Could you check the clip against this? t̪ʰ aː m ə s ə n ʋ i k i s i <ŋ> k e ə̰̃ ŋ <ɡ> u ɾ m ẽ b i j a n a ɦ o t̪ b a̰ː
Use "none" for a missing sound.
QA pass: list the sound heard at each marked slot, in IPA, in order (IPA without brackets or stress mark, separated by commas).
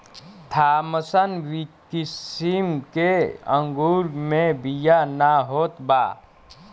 m, ɡ